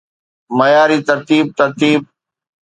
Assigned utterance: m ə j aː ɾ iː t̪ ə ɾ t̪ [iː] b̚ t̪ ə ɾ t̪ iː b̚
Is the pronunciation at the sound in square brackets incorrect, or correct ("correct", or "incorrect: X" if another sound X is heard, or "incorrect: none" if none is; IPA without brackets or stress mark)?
correct